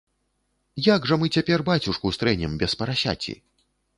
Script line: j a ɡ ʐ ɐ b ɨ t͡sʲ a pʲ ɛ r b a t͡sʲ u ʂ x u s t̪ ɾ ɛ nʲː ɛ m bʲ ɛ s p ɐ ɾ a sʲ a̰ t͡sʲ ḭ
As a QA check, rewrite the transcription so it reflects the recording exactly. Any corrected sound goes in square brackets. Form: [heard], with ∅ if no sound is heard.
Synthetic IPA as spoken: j a ɡ ʐ ɐ [m] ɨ t͡sʲ a pʲ ɛ r b a t͡sʲ u ʂ [k] u s t̪ ɾ ɛ [nʲ] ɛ m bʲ ɛ s p ɐ ɾ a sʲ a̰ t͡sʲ ḭ